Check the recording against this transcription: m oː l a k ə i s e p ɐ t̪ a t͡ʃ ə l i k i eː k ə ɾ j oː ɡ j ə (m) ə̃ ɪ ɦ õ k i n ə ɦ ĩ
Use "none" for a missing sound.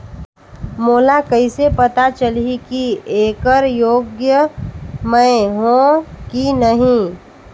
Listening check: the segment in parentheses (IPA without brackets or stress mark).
m